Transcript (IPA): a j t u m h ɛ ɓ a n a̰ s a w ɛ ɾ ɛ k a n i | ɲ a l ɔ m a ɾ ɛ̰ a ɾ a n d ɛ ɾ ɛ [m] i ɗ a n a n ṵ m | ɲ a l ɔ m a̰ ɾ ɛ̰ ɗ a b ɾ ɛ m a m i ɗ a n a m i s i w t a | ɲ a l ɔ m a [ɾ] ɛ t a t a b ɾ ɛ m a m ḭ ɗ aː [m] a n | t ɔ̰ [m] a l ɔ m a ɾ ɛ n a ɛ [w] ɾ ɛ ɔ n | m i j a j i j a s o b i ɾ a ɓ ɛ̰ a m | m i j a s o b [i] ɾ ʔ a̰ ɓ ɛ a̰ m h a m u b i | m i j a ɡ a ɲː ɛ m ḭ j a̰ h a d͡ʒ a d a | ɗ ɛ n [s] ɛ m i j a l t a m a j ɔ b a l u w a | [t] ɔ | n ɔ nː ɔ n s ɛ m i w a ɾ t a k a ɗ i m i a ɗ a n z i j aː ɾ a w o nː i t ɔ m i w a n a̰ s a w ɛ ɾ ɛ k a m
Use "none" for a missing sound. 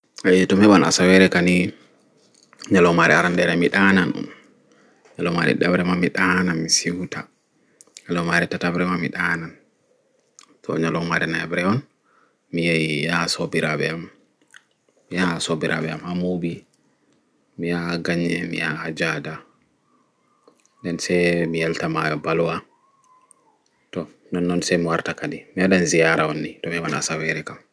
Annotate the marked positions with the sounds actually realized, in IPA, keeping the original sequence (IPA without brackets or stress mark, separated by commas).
m, ɾ, n, ɲ, b, i, s, t